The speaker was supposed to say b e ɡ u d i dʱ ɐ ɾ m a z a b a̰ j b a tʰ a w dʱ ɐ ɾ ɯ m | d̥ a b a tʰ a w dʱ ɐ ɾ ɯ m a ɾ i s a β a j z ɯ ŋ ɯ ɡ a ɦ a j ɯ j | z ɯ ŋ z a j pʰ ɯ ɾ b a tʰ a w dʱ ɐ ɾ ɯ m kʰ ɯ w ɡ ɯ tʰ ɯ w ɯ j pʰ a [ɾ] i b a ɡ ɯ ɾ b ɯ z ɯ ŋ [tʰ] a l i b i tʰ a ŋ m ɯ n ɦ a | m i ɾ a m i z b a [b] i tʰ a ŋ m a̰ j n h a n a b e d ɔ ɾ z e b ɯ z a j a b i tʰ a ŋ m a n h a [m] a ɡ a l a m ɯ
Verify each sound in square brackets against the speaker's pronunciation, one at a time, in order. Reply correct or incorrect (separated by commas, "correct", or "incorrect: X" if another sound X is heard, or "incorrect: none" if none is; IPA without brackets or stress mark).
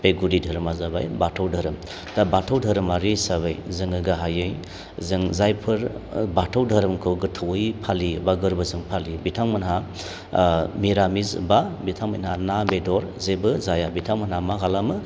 incorrect: l, incorrect: pʰ, correct, correct